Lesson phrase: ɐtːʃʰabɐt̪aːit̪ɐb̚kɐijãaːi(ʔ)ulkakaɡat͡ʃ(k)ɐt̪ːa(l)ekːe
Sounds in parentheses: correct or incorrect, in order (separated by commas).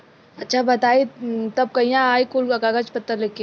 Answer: incorrect, incorrect, correct